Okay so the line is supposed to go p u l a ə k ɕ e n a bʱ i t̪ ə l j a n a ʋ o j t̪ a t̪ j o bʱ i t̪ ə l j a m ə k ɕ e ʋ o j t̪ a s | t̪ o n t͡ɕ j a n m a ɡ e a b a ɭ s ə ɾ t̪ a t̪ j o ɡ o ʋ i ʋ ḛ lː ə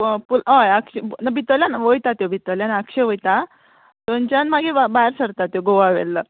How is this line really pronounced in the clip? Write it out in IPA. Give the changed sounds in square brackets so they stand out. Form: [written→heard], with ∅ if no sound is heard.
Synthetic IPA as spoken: p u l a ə k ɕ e n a bʱ i t̪ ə l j a n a ʋ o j t̪ a t̪ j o bʱ i t̪ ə l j a [m→n] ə k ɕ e ʋ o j t̪ a [s→∅] | t̪ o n t͡ɕ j a n m a ɡ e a b a [ɭ→ɾ] s ə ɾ t̪ a t̪ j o ɡ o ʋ [i→a] ʋ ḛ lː ə

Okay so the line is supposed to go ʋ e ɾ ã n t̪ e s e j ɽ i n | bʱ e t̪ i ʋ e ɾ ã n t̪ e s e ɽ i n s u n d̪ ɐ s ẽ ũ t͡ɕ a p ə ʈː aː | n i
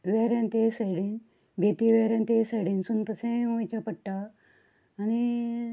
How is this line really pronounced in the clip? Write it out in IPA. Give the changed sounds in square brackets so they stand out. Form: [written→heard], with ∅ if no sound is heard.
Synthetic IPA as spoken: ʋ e ɾ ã n t̪ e s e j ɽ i n | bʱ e t̪ i ʋ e ɾ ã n t̪ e s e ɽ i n s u n [d̪→t̪] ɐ s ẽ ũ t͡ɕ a p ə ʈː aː | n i

